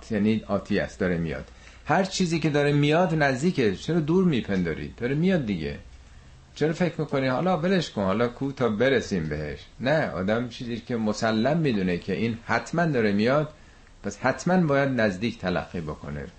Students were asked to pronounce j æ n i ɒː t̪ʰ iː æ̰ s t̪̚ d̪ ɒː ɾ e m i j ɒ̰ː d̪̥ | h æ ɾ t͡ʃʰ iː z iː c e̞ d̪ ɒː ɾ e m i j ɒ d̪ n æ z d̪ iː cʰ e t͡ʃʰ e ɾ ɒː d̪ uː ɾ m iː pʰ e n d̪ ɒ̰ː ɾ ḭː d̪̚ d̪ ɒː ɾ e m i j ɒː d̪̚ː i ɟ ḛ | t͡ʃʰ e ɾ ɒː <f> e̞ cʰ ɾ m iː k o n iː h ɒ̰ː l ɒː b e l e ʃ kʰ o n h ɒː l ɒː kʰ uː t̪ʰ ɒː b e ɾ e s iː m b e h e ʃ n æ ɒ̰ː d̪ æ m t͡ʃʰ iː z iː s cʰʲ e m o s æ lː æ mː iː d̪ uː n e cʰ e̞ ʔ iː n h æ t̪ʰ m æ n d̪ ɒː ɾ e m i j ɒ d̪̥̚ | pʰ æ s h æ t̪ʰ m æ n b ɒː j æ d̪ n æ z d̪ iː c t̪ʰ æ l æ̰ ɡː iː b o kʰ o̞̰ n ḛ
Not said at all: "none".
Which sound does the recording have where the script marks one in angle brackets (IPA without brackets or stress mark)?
f